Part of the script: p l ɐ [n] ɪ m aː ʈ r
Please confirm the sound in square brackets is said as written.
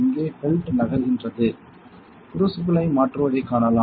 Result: no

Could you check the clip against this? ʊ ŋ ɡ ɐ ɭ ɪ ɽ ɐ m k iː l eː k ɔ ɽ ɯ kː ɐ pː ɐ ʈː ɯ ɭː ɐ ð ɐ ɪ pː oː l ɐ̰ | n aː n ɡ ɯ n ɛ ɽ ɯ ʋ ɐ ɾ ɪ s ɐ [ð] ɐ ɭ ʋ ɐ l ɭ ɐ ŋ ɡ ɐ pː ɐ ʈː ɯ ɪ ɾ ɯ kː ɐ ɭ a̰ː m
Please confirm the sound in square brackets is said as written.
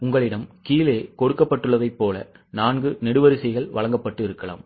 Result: no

